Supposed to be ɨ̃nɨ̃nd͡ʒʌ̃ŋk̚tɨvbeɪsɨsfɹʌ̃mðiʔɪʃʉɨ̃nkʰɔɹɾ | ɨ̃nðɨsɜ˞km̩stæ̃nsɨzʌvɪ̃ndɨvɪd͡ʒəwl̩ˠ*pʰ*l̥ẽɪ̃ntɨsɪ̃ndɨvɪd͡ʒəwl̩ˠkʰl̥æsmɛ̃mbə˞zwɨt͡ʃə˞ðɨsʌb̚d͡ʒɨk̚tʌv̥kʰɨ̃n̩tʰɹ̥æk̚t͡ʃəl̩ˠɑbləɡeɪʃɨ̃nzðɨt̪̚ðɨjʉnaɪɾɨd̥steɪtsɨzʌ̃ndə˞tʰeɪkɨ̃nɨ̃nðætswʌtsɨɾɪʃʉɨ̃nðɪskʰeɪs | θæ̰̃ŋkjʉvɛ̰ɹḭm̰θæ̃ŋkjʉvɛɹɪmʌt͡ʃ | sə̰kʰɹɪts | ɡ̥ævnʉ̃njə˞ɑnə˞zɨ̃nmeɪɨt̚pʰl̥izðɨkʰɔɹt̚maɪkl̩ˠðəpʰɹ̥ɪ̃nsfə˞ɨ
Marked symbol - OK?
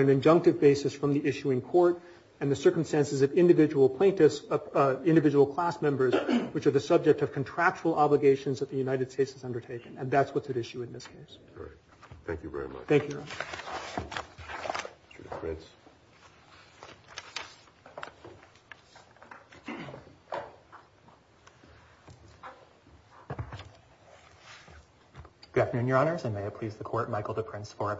yes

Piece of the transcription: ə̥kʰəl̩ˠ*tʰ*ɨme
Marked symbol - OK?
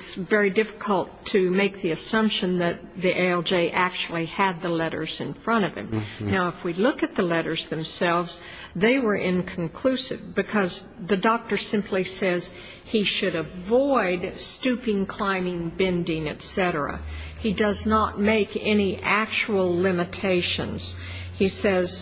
yes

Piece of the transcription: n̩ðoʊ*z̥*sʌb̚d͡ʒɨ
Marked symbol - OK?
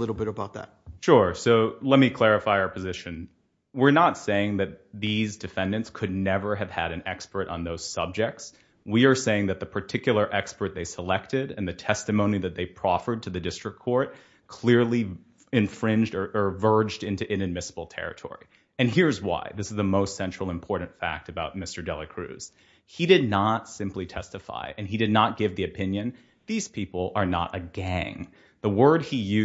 yes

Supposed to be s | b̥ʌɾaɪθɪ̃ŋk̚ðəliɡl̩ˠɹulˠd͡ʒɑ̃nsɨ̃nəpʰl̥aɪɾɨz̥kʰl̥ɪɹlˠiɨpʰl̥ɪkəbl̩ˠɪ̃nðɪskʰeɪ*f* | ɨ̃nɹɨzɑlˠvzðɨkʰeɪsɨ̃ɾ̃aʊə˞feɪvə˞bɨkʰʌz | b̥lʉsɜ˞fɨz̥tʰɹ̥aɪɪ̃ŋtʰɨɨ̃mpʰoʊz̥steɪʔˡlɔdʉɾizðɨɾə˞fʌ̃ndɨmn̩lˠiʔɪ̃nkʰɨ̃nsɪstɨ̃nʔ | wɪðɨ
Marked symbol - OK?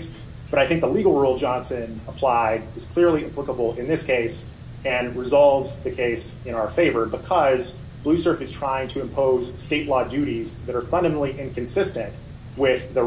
no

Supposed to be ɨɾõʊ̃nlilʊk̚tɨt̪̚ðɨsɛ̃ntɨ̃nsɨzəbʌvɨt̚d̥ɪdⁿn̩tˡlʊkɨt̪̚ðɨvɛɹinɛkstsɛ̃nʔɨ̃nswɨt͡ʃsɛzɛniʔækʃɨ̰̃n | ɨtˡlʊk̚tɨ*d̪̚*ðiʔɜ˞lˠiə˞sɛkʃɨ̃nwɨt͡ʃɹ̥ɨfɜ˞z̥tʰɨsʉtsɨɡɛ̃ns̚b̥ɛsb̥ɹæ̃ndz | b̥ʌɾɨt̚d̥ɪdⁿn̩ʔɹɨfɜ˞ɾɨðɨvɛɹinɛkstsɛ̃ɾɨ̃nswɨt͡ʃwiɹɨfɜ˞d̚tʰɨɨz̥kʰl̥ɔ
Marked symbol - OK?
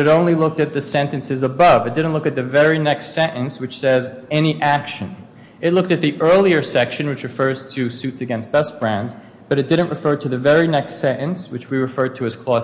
no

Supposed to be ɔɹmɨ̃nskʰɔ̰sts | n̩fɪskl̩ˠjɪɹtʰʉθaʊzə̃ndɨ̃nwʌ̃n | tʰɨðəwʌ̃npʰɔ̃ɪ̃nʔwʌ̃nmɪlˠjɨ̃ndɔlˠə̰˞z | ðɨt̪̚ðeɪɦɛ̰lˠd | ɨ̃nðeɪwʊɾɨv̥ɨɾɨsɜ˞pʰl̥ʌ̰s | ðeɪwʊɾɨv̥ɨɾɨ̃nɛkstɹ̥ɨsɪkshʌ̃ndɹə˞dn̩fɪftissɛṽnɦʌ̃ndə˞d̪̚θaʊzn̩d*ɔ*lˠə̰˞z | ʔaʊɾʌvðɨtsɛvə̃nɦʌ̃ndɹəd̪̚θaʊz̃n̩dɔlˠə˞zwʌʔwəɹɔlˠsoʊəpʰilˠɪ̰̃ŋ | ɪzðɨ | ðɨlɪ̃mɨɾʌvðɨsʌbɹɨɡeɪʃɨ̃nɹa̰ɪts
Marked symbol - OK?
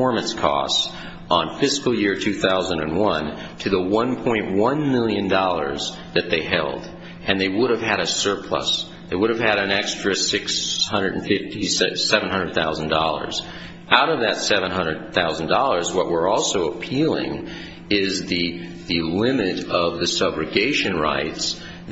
yes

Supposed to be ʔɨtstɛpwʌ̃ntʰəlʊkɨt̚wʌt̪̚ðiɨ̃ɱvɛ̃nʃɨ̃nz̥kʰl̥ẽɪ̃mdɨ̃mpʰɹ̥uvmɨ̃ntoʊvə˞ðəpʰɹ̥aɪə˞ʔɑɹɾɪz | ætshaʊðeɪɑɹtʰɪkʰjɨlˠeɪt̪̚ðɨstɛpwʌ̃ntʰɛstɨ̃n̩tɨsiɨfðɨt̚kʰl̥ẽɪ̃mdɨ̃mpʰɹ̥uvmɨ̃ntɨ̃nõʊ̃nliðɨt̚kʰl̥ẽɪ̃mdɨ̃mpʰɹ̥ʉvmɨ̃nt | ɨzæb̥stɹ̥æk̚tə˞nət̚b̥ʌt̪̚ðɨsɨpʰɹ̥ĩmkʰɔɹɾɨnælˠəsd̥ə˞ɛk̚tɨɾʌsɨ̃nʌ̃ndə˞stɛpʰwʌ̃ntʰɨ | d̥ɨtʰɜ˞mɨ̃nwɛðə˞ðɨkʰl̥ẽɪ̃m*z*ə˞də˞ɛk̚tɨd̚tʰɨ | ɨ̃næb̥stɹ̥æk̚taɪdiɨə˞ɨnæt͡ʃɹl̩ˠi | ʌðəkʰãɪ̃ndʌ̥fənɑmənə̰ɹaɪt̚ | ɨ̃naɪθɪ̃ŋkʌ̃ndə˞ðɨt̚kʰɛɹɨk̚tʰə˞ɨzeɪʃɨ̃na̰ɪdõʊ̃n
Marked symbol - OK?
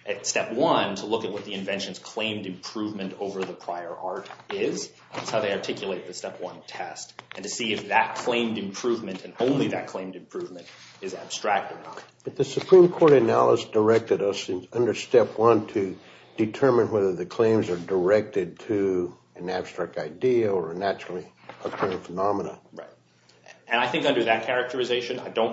yes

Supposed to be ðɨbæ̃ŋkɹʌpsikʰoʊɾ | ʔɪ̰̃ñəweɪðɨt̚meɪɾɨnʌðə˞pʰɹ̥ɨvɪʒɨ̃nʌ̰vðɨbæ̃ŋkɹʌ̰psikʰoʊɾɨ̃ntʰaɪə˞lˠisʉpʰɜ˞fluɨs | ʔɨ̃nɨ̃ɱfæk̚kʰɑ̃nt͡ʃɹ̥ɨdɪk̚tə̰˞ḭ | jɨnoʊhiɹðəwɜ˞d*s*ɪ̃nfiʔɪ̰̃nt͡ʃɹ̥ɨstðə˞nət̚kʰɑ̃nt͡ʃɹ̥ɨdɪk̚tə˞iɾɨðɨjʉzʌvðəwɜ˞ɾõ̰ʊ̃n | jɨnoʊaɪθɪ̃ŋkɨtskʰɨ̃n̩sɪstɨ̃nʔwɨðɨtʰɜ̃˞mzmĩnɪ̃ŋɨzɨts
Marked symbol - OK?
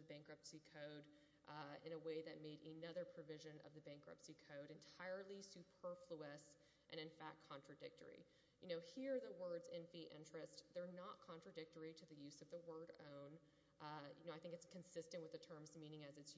no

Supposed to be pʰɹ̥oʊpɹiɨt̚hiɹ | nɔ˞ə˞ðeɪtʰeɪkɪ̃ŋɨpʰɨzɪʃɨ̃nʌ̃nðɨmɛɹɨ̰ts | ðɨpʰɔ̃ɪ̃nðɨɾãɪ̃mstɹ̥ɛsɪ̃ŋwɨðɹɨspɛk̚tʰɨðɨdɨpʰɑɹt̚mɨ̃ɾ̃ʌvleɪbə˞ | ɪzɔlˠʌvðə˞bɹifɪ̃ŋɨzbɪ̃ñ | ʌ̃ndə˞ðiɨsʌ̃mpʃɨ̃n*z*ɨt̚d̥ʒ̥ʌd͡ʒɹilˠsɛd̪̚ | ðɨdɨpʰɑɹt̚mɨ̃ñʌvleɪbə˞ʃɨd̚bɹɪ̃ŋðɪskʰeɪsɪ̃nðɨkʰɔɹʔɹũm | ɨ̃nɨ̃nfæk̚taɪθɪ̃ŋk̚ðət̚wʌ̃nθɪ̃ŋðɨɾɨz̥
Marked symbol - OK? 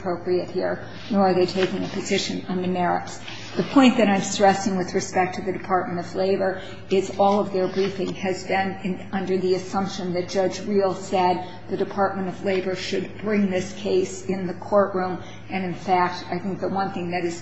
no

